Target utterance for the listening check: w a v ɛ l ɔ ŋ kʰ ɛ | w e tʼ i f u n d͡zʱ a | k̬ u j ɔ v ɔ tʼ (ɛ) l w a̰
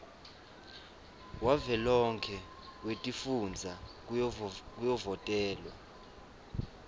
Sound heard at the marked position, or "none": ɛː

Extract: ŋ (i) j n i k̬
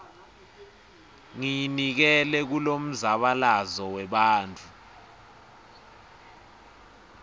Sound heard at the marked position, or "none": i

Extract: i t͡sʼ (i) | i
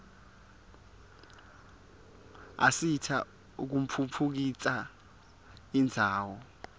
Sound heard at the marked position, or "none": a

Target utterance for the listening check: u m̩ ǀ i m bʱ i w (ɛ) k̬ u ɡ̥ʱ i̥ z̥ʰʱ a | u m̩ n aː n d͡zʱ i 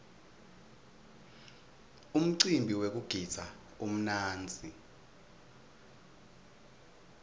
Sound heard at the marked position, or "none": e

